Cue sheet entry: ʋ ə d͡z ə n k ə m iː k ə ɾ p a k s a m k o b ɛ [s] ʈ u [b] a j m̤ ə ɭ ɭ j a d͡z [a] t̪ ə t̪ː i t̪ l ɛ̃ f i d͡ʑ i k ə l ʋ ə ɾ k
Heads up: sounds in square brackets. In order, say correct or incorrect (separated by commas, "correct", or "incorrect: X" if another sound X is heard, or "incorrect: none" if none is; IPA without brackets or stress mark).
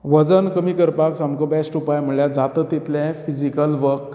correct, incorrect: p, correct